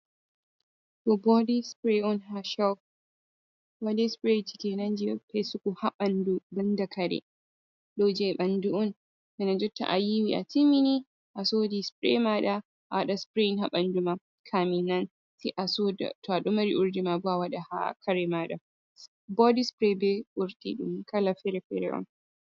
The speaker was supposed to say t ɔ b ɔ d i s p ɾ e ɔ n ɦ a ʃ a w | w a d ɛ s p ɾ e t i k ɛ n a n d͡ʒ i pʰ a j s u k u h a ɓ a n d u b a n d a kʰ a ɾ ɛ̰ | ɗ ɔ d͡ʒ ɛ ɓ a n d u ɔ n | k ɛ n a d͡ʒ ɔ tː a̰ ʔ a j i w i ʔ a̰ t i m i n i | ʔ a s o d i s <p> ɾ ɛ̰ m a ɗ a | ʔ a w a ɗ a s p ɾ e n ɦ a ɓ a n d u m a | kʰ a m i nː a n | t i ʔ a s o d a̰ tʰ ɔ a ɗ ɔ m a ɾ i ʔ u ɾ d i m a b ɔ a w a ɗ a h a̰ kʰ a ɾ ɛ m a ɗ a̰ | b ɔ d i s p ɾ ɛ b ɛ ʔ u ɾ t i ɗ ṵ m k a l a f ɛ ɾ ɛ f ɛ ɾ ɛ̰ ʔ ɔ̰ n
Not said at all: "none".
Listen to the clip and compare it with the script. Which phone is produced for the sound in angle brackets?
p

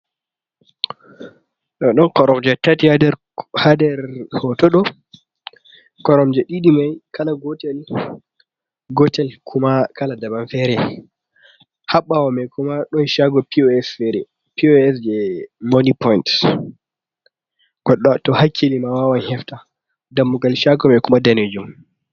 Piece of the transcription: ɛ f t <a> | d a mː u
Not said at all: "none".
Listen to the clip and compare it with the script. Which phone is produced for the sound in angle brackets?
a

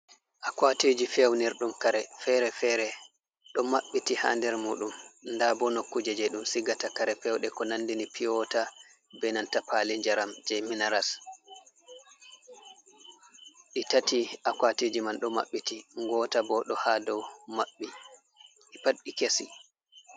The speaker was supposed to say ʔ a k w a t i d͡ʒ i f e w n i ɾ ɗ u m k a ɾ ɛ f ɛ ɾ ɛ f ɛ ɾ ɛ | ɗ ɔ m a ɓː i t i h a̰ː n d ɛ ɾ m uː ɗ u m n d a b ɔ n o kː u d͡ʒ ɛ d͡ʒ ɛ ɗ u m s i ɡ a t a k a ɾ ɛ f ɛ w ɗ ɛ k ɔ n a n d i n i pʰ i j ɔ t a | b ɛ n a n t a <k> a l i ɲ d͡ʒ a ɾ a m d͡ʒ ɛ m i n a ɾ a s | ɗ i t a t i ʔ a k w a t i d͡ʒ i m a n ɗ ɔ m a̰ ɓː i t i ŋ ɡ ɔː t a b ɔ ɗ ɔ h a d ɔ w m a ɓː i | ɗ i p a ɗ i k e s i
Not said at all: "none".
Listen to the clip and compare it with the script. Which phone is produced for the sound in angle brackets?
p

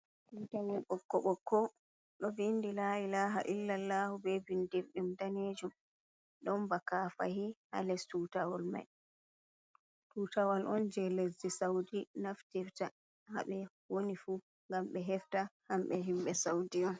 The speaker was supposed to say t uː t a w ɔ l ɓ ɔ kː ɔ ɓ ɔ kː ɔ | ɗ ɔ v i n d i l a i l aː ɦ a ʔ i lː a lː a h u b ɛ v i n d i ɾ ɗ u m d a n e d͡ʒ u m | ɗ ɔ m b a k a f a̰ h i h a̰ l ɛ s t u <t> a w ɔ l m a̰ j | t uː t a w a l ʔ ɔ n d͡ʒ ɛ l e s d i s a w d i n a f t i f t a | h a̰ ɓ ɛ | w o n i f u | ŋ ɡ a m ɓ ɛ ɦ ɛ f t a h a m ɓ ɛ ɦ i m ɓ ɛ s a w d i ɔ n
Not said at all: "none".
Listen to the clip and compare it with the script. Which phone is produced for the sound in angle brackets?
t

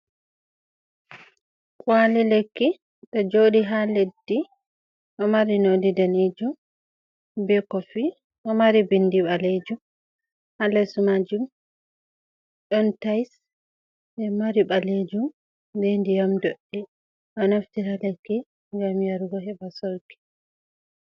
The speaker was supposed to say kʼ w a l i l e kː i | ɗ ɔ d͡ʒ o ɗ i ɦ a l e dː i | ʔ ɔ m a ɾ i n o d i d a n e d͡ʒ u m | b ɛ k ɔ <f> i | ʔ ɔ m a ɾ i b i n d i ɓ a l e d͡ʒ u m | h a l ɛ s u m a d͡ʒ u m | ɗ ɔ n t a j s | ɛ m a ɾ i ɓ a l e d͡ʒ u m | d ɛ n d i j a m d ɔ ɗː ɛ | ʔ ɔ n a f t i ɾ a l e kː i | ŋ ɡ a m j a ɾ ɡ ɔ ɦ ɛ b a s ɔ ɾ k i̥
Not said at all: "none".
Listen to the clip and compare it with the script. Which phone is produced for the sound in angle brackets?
f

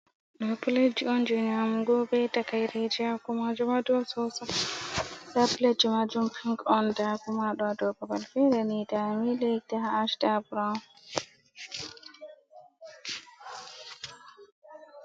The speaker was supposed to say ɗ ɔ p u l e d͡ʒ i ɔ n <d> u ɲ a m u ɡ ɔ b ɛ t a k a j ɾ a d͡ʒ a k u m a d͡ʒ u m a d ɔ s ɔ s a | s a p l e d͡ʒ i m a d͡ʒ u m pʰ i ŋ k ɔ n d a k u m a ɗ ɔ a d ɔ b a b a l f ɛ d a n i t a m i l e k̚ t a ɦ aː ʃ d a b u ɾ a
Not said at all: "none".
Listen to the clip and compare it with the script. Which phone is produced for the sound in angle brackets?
d͡ʒ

